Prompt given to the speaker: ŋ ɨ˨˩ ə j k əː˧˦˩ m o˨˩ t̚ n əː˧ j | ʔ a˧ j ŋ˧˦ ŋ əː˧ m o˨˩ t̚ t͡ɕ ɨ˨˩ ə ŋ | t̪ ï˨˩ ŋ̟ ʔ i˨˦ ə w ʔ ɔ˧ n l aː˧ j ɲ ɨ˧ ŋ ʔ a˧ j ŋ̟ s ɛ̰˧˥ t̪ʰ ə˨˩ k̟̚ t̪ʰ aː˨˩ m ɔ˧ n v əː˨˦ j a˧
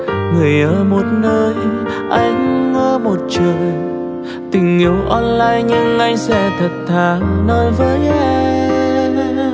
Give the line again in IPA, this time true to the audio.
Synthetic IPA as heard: ŋ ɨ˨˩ ə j ʔ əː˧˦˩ m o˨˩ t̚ n əː˧ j | ʔ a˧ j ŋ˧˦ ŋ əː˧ m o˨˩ t̚ t͡ɕ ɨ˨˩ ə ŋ | t̪ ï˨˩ ŋ̟ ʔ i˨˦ ə w ʔ ɔ˧ n l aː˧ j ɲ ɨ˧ ŋ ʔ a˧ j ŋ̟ s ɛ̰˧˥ t̪ʰ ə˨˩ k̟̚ t̪ʰ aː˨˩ n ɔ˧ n v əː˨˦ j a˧

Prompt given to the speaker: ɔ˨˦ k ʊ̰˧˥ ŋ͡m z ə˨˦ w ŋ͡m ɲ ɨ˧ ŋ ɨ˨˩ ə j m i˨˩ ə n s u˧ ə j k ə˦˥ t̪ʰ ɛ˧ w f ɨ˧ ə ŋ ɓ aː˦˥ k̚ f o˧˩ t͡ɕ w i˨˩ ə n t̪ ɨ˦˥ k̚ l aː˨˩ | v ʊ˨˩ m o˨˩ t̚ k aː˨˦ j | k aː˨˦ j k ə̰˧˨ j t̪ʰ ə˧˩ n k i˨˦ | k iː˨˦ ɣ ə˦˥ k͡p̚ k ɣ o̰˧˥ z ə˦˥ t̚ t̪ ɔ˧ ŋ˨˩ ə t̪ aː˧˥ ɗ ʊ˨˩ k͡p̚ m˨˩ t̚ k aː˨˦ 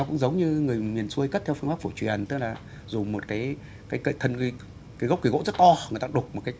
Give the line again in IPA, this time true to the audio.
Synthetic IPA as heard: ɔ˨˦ k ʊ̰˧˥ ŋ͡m z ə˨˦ w ŋ͡m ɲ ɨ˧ ŋ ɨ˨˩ ə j m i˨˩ ə n s u˧ ə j k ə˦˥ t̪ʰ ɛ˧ w f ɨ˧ ə ŋ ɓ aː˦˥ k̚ f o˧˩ t͡ɕ w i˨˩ ə n t̪ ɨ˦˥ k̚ l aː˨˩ | z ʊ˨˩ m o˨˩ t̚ k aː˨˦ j | k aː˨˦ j k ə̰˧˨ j t̪ʰ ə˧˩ n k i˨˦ | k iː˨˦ ɣ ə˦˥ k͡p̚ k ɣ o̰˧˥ z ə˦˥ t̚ t̪ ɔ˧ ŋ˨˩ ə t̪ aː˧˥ ɗ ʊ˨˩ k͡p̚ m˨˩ t̚ k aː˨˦

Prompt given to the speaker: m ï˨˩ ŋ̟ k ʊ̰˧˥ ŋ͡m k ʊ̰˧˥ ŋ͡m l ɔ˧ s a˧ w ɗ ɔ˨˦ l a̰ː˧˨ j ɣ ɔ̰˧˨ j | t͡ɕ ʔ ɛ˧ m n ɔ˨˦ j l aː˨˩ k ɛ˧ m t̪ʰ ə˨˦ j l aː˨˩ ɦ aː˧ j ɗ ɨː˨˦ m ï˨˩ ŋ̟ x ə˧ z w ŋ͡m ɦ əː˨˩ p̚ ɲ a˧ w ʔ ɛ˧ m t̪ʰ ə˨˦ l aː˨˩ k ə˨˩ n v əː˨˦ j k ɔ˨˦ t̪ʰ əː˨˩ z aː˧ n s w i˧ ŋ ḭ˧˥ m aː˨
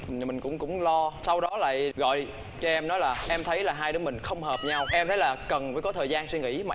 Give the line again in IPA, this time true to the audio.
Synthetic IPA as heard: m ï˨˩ ŋ̟ k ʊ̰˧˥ ŋ͡m k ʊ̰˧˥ ŋ͡m l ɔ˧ s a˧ w ɗ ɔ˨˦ l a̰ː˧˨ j ɣ ɔ̰˧˨ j | t͡ɕ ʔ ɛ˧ m n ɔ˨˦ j l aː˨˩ ʔ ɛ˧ m t̪ʰ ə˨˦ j l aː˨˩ ɦ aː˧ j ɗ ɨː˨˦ m ï˨˩ ŋ̟ x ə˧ w ŋ͡m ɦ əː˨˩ p̚ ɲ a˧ w ʔ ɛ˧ m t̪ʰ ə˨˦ l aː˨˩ k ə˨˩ n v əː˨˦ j k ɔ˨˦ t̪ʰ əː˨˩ z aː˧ n s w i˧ ŋ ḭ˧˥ m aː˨

